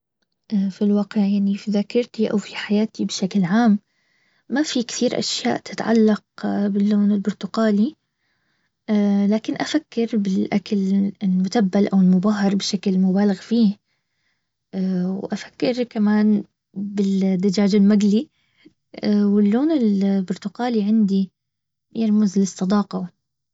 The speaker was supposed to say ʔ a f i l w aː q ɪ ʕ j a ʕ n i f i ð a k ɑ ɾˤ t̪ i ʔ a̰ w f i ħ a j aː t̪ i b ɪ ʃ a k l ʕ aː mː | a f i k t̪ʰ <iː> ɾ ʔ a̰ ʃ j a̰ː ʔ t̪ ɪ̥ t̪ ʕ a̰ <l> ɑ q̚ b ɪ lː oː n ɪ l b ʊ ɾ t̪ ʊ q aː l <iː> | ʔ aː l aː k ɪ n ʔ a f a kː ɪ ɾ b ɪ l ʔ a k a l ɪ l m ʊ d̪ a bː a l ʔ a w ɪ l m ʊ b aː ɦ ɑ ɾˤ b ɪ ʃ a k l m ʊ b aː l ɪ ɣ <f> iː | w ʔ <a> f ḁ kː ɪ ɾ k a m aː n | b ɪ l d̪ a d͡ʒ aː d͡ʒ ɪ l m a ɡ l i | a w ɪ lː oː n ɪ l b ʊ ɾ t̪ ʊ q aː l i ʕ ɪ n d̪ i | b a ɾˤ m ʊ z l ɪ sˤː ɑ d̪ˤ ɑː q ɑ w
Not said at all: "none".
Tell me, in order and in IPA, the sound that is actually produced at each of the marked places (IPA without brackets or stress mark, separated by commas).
iː, lː, i, f, a